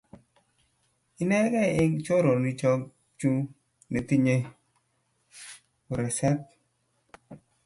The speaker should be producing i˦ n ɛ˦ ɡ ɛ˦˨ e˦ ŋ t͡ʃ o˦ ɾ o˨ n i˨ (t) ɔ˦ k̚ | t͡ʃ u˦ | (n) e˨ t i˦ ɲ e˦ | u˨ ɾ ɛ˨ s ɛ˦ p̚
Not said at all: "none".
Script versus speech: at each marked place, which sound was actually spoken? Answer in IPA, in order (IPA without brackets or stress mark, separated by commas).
t͡ʃ, n